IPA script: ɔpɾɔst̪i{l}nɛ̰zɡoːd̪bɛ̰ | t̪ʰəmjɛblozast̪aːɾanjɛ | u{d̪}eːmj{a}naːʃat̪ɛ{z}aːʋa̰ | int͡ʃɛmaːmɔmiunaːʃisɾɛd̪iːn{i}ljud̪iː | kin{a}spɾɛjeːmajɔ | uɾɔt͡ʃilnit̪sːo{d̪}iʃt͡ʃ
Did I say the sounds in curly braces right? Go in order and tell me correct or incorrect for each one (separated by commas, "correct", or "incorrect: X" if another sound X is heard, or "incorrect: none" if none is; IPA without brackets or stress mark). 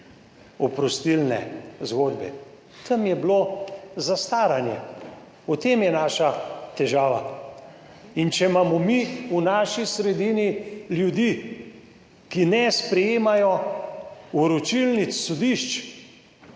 correct, incorrect: t̪, incorrect: ɛ, incorrect: ʒ, correct, incorrect: ɛ, correct